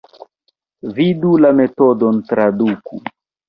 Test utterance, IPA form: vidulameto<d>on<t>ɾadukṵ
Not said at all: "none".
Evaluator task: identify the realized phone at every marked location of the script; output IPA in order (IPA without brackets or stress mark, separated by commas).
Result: d, t